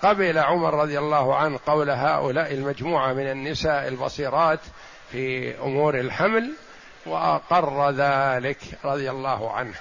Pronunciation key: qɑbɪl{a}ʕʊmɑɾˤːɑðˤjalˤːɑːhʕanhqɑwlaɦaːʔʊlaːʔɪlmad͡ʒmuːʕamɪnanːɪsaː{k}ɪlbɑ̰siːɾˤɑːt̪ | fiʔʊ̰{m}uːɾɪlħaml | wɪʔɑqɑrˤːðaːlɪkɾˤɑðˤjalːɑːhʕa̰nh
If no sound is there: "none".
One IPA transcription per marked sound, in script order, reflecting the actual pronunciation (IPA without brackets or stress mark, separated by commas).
a, ʔ, m